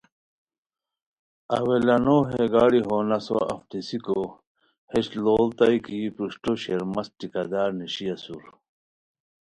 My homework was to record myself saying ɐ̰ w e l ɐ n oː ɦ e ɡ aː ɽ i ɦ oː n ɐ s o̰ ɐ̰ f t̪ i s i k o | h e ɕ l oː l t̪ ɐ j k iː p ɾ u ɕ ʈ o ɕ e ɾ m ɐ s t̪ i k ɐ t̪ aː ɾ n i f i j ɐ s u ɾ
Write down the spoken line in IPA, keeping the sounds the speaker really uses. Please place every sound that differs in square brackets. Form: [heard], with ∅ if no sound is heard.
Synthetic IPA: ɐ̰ w e l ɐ n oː ɦ e ɡ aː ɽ i ɦ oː n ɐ s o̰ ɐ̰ f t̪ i s i k o | h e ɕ l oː l t̪ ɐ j k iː p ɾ u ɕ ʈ o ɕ e ɾ m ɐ s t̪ i k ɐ [d̪] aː ɾ n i [ɕ] i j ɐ s u ɾ

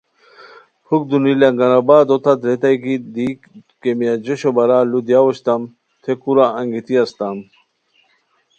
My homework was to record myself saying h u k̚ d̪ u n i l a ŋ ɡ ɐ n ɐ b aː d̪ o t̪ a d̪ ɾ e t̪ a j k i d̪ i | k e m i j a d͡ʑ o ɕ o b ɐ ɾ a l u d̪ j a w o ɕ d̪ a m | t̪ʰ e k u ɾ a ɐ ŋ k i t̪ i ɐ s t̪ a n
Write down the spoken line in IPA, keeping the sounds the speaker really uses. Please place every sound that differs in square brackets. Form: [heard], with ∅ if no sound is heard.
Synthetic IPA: h u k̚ d̪ u n i l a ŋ ɡ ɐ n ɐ b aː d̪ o t̪ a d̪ ɾ e t̪ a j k i d̪ i | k e m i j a d͡ʑ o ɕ o b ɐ ɾ a l u d̪ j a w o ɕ [t̪] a m | t̪ʰ e k u ɾ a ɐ ŋ [ɡ] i t̪ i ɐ s t̪ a [m]

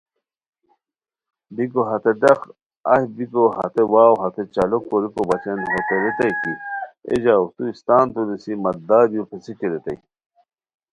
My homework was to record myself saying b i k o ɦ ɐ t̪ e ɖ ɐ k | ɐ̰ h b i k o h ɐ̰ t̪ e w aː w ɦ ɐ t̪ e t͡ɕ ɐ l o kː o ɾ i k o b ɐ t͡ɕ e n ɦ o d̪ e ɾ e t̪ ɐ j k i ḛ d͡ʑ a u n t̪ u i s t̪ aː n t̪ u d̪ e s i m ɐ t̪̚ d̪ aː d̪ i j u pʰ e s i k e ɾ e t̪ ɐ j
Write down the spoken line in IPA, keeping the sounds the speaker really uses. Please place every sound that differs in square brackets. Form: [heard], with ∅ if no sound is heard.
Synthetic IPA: b i k o ɦ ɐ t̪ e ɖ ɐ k | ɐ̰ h b i k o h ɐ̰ t̪ e w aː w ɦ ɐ t̪ e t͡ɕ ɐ l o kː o ɾ i k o b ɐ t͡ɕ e n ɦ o [t̪] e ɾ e t̪ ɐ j k i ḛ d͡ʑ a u [∅] t̪ u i s t̪ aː n t̪ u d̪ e s i m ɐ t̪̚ d̪ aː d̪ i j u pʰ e s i k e ɾ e t̪ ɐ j

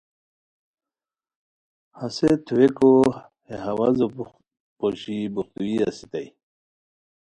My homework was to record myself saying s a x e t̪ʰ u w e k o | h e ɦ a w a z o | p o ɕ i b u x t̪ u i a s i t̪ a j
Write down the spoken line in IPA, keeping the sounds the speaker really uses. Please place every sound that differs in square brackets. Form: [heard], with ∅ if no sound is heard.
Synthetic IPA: [h] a [s] e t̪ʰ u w e k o | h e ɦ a w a z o | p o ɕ i b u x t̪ u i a s i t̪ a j

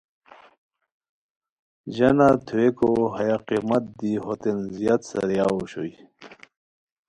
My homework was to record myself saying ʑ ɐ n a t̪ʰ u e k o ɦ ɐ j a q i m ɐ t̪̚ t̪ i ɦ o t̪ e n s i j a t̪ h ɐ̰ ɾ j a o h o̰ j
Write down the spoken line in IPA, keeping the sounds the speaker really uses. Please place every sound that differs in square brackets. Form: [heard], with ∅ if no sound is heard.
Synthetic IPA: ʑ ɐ n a t̪ʰ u e k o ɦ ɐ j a q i m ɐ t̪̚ [d̪] i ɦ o t̪ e n [z] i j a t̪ [s] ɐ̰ ɾ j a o [ɕ] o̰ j

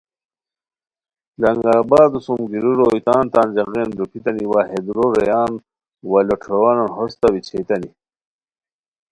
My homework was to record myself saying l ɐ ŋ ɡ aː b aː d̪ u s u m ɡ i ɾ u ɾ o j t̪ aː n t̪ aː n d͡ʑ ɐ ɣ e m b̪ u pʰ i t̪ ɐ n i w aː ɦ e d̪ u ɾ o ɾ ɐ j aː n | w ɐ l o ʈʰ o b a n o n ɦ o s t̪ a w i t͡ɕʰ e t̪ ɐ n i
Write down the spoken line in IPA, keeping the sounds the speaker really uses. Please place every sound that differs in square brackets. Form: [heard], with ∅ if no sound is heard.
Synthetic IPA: l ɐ ŋ ɡ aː b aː d̪ u s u m ɡ i ɾ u ɾ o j t̪ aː n t̪ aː n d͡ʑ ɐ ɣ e [n] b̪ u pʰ i t̪ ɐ n i w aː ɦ e d̪ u ɾ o ɾ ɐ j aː n | w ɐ l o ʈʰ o [w] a n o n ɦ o s t̪ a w i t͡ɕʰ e t̪ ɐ n i

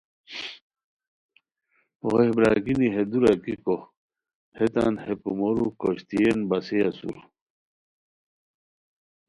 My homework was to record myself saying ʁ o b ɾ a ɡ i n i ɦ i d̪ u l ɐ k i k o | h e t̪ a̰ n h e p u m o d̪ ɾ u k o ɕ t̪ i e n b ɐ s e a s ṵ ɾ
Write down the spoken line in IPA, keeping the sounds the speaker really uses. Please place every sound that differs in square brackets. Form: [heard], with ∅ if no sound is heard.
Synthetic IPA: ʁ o b ɾ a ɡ i n i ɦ [e] d̪ u [ɾ] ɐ k i k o | h e t̪ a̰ n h e p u m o [∅] ɾ u k o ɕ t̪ i e n b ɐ s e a s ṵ ɾ

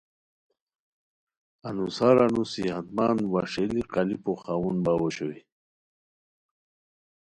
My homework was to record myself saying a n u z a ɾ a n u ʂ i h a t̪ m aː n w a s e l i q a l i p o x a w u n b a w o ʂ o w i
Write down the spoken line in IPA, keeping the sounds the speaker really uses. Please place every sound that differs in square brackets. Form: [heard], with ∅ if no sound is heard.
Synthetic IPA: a n u [s] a ɾ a n u [s] i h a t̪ m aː n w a [ʂ] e l i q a l i p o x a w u n b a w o [ɕ] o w i

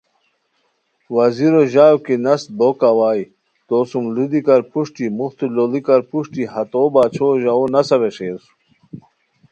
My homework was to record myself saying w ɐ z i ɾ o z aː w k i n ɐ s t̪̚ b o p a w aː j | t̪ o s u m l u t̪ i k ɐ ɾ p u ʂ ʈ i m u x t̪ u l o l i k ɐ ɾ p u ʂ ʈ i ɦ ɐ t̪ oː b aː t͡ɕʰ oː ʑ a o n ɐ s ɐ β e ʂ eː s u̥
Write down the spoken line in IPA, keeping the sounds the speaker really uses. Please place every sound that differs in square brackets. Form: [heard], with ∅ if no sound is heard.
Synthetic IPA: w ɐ z i ɾ o [ʑ] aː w k i n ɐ s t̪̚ b o [k] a w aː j | t̪ o s u m l u [d̪] i k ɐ ɾ p u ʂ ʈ i m u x t̪ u l o l i k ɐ ɾ p u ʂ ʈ i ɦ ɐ t̪ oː b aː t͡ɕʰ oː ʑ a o n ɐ s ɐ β e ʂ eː s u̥

